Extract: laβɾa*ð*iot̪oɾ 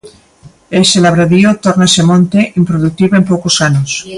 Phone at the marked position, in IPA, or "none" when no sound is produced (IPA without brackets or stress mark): ð